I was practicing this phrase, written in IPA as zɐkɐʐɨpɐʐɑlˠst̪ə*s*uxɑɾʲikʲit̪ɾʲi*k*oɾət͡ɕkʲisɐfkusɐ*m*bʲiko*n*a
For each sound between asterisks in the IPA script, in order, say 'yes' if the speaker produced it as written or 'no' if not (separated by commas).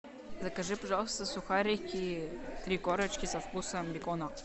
yes, yes, yes, yes